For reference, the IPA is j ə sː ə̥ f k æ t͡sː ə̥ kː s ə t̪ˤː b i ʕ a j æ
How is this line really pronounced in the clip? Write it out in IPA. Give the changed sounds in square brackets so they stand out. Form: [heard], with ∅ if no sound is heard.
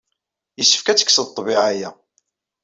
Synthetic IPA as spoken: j ə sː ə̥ f k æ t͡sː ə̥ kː s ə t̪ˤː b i ʕ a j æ